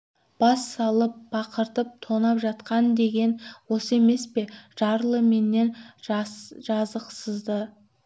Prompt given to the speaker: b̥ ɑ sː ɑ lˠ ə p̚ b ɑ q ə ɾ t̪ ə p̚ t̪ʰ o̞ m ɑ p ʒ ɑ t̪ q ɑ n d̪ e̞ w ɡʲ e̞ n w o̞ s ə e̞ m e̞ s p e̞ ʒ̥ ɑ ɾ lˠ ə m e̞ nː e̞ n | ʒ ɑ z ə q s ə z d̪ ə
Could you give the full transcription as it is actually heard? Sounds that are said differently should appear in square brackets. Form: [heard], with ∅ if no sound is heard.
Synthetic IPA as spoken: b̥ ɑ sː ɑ lˠ ə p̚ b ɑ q ə ɾ t̪ ə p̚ t̪ʰ o̞ [n] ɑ p ʒ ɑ t̪ q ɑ n d̪ e̞ [∅] ɡʲ e̞ n w o̞ s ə e̞ m e̞ s p e̞ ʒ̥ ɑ ɾ lˠ ə m e̞ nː e̞ n | ʒ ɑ z ə q s ə z d̪ ə